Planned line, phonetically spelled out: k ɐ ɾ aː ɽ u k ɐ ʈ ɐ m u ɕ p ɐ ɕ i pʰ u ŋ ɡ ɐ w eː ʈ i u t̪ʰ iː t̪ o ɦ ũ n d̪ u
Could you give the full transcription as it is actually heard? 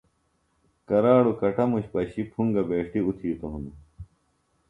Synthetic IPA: k ɐ ɾ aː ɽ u k ɐ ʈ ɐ m u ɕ p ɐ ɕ i pʰ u ŋ ɡ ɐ b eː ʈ i u t̪ʰ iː t̪ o ɦ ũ n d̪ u